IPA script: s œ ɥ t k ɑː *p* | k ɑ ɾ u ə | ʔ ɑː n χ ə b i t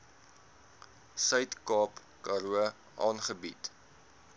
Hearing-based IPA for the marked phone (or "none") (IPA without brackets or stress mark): p